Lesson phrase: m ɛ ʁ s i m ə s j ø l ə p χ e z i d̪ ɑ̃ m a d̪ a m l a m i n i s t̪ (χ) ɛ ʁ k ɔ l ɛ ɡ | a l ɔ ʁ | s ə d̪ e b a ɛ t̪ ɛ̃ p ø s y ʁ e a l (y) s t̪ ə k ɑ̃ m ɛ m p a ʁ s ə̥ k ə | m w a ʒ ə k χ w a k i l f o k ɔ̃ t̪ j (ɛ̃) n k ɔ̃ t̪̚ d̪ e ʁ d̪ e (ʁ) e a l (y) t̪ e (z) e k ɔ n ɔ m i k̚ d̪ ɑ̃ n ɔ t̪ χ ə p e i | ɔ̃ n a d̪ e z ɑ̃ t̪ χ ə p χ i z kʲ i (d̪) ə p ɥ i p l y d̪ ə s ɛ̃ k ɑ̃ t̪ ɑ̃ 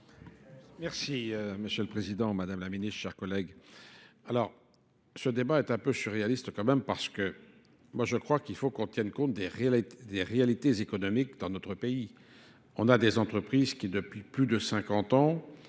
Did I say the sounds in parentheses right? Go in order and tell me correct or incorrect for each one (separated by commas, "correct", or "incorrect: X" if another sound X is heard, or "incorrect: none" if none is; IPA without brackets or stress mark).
incorrect: ʃ, incorrect: i, incorrect: ɛ, correct, incorrect: i, correct, correct